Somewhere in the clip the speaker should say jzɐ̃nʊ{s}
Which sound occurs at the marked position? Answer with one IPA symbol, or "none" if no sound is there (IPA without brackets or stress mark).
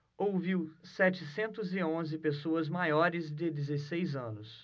s